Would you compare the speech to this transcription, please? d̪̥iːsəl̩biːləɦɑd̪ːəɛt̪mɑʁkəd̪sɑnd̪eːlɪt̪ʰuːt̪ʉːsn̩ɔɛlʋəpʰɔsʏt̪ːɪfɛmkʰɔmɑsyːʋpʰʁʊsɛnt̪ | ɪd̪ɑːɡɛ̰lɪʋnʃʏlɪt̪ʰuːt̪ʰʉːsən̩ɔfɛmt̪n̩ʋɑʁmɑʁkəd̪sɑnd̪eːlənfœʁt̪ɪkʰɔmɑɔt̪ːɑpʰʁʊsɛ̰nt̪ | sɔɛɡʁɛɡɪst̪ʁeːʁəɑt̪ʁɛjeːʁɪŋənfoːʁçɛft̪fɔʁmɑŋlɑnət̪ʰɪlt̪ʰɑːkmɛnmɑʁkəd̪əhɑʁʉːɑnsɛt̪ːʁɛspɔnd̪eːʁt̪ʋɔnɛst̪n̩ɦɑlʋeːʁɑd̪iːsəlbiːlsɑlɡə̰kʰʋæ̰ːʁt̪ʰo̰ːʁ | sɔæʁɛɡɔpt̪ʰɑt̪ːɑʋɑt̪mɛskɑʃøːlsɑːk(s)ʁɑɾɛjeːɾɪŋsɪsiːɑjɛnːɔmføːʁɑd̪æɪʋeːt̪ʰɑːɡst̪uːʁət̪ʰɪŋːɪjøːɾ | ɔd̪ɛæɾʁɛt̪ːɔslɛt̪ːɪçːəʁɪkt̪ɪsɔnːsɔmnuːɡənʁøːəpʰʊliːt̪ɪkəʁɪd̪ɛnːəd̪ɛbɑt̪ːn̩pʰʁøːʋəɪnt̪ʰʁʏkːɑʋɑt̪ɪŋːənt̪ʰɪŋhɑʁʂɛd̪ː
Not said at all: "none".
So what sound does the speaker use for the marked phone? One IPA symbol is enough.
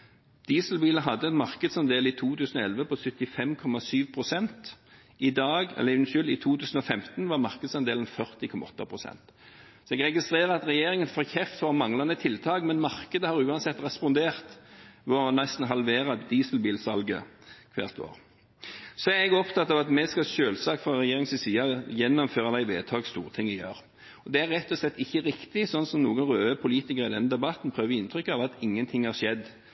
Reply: f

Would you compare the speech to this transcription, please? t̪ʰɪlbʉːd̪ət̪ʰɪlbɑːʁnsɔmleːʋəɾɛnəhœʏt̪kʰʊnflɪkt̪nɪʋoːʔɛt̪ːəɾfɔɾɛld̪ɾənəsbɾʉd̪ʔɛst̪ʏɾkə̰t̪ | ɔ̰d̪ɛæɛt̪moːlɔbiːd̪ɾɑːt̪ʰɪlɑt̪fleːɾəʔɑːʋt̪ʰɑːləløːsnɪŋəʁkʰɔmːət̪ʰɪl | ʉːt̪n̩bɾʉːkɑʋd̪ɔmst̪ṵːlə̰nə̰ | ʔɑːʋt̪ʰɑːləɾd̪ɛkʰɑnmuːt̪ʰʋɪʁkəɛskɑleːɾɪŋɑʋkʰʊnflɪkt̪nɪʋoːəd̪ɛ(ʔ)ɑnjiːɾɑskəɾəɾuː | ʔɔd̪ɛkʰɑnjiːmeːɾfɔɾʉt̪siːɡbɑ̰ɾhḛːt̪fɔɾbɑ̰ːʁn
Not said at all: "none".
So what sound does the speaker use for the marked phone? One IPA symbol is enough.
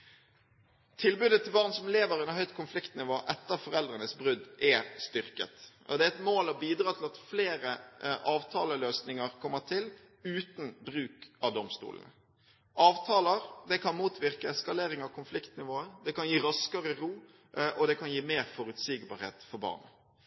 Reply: k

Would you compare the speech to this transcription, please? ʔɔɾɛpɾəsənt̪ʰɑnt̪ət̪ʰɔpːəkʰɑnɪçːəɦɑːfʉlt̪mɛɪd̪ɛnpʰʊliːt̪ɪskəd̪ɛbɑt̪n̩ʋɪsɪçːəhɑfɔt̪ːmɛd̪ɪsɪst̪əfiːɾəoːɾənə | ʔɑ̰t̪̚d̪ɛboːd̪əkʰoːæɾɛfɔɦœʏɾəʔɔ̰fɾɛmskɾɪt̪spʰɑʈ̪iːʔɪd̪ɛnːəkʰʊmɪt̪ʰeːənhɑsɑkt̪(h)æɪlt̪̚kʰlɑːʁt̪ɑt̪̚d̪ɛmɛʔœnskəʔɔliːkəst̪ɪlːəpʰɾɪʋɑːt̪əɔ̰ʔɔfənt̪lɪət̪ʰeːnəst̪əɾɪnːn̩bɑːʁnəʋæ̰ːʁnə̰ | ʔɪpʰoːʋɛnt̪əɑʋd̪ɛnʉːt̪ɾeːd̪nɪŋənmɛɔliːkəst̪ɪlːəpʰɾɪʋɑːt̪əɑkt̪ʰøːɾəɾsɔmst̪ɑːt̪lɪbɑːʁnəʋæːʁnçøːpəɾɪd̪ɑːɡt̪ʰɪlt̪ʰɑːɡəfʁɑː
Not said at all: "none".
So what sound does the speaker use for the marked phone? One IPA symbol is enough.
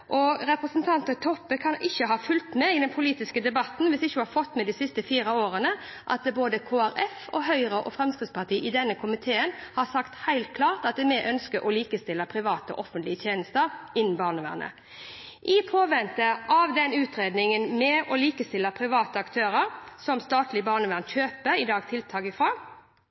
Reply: h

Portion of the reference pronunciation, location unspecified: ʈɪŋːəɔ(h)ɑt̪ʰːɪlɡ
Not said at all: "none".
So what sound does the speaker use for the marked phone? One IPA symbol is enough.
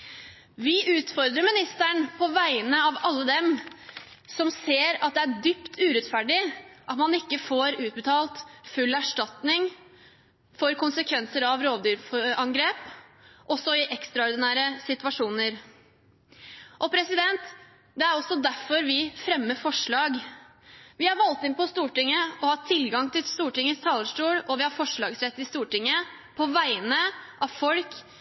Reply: h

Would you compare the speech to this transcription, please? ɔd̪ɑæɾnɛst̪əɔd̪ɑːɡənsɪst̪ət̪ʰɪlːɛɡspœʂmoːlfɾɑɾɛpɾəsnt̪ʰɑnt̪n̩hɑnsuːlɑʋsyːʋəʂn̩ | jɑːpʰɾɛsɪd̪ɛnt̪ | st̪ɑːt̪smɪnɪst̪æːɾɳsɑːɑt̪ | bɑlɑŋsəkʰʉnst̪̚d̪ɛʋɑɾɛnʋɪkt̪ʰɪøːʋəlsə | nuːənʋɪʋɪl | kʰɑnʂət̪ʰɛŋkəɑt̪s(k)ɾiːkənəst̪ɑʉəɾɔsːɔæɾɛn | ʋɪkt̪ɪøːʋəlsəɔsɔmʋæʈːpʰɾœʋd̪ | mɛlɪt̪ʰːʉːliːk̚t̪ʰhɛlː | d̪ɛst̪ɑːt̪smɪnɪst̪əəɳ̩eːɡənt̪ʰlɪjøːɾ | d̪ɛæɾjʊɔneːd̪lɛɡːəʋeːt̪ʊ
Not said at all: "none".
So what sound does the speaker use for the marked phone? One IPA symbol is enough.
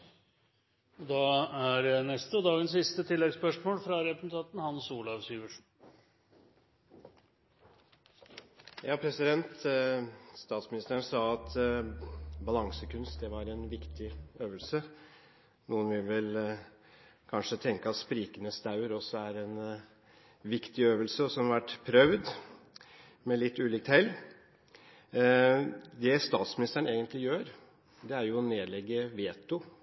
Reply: p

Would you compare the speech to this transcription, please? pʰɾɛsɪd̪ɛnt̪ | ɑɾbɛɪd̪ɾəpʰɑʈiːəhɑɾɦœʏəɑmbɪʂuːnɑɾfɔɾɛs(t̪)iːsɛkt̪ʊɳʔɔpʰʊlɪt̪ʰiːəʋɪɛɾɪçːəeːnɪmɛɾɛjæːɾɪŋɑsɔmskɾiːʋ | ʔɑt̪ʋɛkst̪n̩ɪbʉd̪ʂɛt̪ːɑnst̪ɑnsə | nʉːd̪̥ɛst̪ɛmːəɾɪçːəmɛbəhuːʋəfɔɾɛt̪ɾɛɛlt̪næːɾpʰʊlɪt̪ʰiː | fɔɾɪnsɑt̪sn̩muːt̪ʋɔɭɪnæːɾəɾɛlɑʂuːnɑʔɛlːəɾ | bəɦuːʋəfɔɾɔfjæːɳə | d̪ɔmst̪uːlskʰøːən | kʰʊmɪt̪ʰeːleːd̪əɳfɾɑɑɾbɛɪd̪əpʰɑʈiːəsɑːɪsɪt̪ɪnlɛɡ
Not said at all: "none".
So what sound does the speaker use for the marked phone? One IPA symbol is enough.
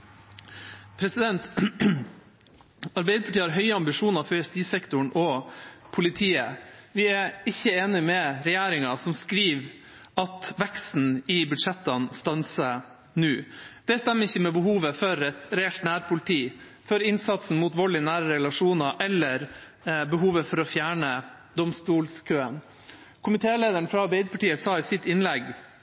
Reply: t̪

